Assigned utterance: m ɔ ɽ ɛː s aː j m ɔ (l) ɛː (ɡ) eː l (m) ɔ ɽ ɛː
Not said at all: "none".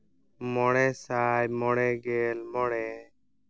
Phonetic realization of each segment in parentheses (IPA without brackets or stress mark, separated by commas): ɽ, ɡ, m